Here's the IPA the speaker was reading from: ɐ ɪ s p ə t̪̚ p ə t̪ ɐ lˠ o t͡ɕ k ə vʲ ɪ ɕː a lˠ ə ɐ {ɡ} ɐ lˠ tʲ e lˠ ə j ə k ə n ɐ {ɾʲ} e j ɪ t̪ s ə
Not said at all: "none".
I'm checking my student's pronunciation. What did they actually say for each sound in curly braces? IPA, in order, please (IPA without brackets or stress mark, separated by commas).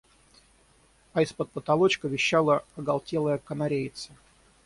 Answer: ɡ, ɾʲ